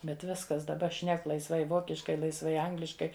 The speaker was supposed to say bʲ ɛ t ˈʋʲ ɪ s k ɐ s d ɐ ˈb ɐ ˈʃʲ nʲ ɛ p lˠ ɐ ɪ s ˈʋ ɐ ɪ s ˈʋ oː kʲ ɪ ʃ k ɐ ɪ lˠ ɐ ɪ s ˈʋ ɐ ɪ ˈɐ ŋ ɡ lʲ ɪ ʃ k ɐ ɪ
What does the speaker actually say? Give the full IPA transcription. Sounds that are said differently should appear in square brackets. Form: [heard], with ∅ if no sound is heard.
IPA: bʲ ɛ t ˈʋʲ ɪ s k ɐ s d ɐ ˈb ɐ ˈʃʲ nʲ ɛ [k] lˠ ɐ ɪ s ˈʋ ɐ ɪ [∅] ˈʋ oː kʲ ɪ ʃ k ɐ ɪ lˠ ɐ ɪ s ˈʋ ɐ ɪ ˈɐ ŋ ɡ lʲ ɪ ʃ k ɐ ɪ